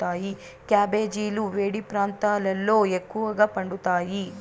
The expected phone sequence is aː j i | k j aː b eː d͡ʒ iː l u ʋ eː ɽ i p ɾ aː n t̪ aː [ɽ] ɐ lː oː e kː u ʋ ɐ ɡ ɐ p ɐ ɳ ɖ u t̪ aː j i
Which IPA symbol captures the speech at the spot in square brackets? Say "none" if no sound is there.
l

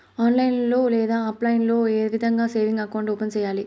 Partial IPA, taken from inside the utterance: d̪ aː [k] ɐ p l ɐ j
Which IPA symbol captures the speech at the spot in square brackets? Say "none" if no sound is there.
none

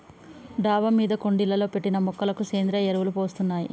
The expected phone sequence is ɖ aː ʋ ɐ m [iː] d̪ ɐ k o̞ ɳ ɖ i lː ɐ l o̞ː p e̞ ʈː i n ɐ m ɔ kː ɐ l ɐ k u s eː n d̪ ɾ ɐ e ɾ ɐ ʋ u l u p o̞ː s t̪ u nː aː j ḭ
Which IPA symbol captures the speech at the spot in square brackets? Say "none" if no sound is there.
iː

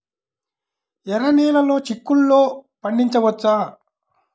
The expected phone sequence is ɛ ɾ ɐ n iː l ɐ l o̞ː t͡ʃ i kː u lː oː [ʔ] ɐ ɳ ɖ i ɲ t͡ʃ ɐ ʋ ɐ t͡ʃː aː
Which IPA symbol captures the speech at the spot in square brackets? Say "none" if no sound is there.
p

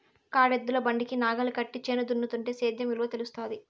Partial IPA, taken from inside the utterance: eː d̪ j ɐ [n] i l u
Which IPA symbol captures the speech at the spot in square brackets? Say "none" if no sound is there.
m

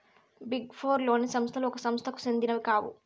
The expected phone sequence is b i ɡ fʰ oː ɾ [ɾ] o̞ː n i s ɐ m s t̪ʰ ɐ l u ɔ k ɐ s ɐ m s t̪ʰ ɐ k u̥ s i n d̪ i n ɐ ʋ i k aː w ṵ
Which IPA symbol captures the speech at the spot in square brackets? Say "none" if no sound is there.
l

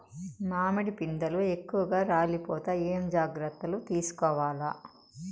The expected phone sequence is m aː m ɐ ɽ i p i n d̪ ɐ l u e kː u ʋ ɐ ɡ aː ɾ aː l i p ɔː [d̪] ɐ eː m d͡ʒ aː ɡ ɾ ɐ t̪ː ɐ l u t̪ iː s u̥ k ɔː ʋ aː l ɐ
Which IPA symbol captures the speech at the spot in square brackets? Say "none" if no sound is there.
t̪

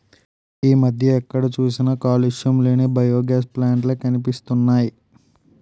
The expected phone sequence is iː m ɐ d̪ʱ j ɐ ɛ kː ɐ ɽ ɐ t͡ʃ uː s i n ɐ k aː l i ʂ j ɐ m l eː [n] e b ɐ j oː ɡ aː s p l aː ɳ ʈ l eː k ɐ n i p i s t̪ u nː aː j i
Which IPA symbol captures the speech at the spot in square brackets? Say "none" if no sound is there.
n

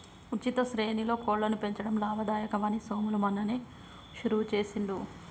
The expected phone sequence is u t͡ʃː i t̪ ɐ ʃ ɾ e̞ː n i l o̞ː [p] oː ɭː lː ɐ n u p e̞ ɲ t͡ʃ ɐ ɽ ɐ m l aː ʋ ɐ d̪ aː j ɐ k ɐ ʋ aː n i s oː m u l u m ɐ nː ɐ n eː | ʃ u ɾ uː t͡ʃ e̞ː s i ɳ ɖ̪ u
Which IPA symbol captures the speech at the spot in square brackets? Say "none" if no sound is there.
k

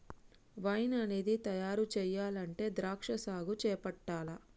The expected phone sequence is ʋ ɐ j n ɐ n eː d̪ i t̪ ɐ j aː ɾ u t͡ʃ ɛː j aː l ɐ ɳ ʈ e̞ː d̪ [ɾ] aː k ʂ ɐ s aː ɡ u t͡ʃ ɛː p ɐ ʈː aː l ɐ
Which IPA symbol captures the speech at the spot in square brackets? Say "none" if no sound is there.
ɾ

